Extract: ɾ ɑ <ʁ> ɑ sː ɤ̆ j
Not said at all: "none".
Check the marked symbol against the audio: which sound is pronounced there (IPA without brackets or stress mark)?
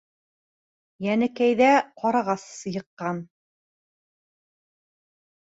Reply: ʁ